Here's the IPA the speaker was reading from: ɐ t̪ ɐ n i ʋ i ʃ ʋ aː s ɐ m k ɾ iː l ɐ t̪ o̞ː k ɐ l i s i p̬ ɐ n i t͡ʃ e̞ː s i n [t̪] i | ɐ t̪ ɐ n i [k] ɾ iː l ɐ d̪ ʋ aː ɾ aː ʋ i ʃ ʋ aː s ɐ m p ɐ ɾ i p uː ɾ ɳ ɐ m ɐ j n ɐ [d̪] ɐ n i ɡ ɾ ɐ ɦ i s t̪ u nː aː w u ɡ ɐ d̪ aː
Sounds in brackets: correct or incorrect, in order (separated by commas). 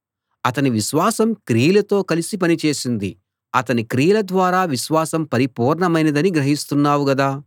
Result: incorrect, correct, correct